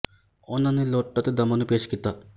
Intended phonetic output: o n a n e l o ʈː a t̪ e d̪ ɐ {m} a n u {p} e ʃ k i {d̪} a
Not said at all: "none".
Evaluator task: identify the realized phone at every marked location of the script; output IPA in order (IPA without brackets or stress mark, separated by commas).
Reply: m, p, t̪